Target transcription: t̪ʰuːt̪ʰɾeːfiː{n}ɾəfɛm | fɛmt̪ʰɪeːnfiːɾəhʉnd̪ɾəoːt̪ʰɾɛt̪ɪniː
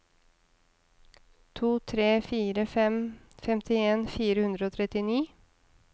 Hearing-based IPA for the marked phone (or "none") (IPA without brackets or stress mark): none